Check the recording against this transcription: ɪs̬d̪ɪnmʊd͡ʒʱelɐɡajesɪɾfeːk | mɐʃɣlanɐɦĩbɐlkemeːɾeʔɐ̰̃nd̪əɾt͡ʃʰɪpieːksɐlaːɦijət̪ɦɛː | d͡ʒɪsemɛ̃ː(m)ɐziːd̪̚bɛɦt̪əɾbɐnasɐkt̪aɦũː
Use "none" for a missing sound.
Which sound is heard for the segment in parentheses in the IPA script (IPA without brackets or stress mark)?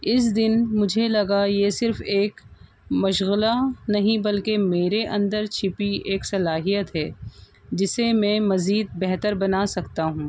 m